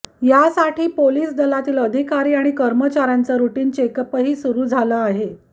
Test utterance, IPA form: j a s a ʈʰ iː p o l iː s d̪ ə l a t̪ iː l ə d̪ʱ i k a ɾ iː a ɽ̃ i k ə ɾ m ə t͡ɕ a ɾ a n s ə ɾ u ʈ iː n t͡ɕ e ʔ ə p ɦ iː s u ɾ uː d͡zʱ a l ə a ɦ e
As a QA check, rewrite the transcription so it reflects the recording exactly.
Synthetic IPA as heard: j a s a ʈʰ iː p o l iː s d̪ ə l a t̪ iː l ə d̪ʱ i k a ɾ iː a ɽ̃ i k ə ɾ m ə t͡ɕ a ɾ a n t͡s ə ɾ u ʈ iː n t͡ɕ e k ə p ɦ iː s u ɾ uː d͡zʱ a l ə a ɦ e

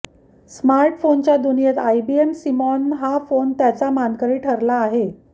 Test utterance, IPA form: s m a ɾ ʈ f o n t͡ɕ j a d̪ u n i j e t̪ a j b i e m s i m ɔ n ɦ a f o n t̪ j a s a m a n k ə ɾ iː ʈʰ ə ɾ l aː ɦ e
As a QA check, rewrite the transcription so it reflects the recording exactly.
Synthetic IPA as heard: s m a ɾ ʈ f o n t͡ɕ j a d̪ u n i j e t̪ a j b i e m s i m ɔ n ɦ a f o n t̪ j a t͡s a m a n k ə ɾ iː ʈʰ ə ɾ l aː ɦ e

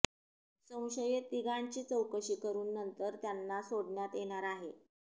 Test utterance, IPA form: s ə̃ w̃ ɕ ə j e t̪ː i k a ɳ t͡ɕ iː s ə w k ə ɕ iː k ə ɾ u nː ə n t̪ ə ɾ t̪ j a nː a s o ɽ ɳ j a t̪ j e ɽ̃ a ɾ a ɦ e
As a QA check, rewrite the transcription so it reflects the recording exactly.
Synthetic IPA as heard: s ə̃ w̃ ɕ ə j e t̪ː i ɡ a ɳ t͡ɕ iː t͡s ə w k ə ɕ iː k ə ɾ uː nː ə n t̪ ə ɾ t̪ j a nː a s o ɽ ɳ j a t̪ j e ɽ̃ a ɾ a ɦ e

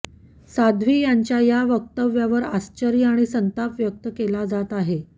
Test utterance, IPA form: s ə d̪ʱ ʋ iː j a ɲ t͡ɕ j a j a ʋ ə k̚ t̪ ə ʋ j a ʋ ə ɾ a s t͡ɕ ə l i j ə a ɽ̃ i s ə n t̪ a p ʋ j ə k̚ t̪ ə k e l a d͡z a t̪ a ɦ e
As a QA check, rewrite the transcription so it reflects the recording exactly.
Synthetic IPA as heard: s a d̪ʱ ʋ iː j a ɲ t͡ɕ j a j a ʋ ə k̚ t̪ ə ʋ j a ʋ ə ɾ a s t͡ɕ ə ɾ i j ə a ɽ̃ i s ə n t̪ a p ʋ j ə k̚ t̪ ə k e l a d͡z a t̪ a ɦ e

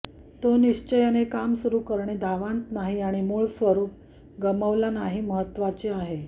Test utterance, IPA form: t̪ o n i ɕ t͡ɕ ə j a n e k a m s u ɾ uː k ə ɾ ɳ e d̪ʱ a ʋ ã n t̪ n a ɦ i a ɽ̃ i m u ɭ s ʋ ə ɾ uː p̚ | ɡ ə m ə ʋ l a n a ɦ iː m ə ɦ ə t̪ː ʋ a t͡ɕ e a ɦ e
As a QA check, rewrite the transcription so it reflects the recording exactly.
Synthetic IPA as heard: t̪ o n i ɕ t͡ɕ ə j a n e k a m s u ɾ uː k ə ɾ ɳ e d̪ʱ a ʋ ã n t̪ n a ɦ i a ɽ̃ i m u ɭ s ʋ ə ɾ uː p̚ | ɡ ə m ə ʋ l a n a ɦ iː m ə ɦ ə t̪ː ʋ a t͡ɕ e a ɦ e

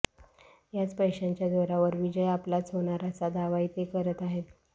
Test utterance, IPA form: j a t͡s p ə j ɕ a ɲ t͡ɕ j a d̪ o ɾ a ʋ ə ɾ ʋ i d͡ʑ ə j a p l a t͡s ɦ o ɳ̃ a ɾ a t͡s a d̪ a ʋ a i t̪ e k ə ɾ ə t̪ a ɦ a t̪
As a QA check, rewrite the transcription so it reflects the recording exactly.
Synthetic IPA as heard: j a t͡s p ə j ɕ a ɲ t͡ɕ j a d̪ o ɾ a ʋ ə ɾ ʋ i d͡ʑ ə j a p l a t͡s ɦ o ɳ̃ a ɾ a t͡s a d̪ a ʋ a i t̪ e k ə ɾ ə t̪ a ɦ e t̪

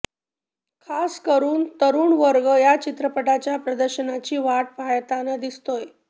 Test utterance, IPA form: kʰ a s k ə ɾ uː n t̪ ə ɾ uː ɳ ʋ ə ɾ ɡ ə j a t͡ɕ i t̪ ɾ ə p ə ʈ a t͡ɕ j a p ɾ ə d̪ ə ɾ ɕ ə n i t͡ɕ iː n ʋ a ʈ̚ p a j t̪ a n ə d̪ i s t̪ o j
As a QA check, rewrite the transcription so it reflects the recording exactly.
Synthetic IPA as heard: kʰ a s k ə ɾ uː n t̪ ə ɾ uː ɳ ʋ ə ɾ ɡ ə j a t͡ɕ i t̪ ɾ ə p ə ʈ a t͡ɕ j a p ɾ ə d̪ ə ɾ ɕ ə n a t͡ɕ iː ʋ a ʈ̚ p a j t̪ a n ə d̪ i s t̪ o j

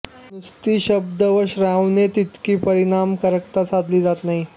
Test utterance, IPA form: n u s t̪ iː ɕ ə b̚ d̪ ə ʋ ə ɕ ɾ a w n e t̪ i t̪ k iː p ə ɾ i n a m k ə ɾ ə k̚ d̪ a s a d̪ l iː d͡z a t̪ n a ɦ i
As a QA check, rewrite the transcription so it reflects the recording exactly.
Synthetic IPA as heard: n u s t̪ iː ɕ ə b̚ d̪ ə ʋ ə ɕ ɾ a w n e t̪ i t̪ k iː p ə ɾ i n a m k ə ɾ ə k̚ t̪ a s a d̪ l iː d͡z a t̪ n a ɦ i

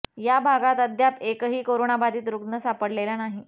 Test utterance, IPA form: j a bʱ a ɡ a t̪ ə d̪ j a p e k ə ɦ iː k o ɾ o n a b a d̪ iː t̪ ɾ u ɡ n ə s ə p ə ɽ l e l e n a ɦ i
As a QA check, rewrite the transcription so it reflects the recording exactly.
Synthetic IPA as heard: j a bʱ a ɡ a t̪ ə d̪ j a p e k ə ɦ iː k o ɾ o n a b a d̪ iː t̪ ɾ u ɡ n ə s a p ə ɽ l e l a n a ɦ i

